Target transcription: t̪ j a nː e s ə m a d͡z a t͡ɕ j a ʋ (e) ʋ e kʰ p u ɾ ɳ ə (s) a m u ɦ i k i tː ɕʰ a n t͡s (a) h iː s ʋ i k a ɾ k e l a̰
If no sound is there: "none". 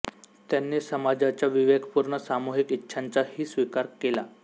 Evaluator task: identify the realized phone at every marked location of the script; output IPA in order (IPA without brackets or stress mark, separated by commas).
i, s, a